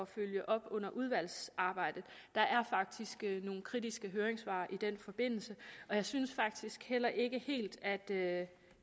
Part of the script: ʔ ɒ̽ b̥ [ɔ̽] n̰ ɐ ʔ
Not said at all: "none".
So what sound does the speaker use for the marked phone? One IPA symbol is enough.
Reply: ɔ̽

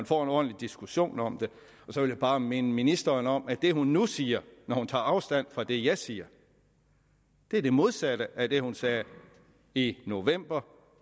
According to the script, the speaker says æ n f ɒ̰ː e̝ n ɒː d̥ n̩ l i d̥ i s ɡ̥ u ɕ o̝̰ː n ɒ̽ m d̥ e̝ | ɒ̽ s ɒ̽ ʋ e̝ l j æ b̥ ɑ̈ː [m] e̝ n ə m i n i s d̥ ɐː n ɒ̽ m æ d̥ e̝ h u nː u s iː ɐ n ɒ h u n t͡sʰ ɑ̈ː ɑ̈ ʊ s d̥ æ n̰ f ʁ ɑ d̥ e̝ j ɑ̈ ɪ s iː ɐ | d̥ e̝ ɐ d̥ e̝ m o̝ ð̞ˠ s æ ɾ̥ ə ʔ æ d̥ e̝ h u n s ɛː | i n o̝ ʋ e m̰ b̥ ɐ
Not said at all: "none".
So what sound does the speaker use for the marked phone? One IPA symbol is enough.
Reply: m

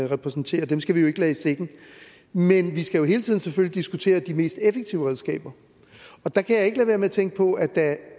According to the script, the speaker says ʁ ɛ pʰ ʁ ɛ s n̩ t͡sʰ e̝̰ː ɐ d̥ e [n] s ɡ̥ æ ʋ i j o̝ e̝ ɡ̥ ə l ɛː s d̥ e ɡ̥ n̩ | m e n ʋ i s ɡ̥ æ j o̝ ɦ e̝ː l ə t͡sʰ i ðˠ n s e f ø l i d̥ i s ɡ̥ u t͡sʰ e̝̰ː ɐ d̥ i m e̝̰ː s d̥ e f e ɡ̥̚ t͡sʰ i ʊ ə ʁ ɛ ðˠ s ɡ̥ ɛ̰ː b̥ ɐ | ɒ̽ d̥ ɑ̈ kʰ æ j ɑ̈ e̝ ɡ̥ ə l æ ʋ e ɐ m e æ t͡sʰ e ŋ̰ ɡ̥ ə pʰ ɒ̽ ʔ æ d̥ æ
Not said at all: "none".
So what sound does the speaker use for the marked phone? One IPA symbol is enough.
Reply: m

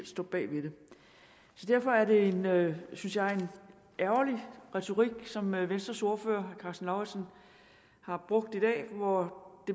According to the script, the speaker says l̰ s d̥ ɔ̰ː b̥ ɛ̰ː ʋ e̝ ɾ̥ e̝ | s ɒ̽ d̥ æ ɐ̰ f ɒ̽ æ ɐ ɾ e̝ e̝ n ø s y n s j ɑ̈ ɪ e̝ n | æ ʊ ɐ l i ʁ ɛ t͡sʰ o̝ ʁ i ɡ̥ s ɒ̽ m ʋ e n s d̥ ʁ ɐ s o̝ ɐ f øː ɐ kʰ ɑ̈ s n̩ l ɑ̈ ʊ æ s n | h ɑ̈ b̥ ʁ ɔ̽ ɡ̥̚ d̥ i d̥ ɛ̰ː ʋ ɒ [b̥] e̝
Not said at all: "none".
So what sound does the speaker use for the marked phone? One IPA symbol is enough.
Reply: d̥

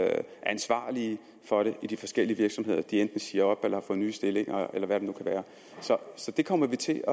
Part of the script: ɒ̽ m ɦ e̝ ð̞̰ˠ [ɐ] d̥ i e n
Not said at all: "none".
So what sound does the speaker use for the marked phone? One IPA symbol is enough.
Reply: ɐ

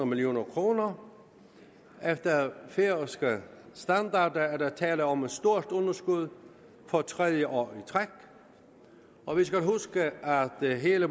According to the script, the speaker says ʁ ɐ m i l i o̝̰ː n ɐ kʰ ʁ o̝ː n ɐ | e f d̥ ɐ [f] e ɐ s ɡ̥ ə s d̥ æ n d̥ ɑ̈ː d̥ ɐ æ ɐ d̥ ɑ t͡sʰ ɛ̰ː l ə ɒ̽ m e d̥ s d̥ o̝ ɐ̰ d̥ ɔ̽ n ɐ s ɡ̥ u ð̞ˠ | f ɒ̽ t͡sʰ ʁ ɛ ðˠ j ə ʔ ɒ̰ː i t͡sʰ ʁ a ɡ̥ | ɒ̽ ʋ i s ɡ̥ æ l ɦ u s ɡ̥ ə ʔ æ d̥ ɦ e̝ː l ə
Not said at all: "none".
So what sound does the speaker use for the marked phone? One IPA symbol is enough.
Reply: f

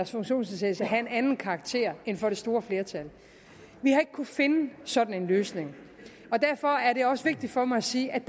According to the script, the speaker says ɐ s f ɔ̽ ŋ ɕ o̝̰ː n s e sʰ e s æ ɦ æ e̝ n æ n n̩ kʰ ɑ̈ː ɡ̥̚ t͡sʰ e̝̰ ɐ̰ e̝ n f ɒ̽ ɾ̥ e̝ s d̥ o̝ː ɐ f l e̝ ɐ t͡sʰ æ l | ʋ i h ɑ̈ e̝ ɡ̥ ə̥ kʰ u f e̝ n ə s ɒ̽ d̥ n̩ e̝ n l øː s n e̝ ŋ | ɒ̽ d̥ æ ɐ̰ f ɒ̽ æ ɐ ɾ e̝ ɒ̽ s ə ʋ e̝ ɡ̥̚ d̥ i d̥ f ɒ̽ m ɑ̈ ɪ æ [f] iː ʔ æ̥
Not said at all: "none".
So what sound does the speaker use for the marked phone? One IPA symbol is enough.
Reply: s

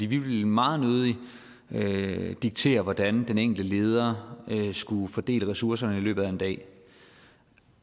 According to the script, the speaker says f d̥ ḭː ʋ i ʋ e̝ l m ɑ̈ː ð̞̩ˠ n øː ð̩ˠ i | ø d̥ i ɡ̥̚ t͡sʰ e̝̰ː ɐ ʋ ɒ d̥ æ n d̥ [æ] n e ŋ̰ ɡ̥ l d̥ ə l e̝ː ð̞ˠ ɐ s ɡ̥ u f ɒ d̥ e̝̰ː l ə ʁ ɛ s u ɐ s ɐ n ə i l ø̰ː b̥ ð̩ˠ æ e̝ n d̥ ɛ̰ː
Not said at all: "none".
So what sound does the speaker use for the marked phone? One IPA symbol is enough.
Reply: e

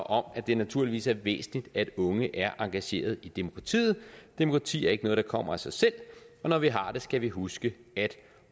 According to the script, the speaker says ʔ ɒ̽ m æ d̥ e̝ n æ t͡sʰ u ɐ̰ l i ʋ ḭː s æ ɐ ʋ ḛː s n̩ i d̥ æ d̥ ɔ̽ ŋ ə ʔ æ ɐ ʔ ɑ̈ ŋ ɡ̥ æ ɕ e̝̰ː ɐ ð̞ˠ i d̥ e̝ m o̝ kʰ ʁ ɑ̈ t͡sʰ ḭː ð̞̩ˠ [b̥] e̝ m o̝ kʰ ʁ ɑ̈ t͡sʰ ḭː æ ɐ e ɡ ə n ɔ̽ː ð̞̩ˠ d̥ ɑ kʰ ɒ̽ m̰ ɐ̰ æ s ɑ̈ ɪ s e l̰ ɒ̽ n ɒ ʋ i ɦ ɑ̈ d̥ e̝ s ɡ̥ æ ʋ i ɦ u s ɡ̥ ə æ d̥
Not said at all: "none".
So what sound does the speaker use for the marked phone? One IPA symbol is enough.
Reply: d̥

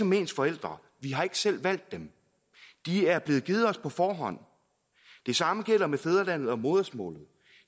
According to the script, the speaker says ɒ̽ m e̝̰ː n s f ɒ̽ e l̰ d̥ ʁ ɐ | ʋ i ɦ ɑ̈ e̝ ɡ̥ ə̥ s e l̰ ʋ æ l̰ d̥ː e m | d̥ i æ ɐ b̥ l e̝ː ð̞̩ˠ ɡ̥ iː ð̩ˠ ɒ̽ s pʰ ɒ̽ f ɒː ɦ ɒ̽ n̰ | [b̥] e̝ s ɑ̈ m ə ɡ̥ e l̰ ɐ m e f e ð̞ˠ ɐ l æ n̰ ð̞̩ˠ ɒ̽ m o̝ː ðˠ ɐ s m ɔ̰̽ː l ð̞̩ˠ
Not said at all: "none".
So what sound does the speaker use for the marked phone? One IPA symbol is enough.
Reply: d̥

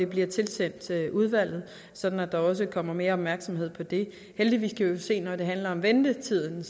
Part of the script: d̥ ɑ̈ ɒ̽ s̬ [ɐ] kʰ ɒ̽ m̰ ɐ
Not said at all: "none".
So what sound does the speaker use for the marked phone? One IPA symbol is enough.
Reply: ə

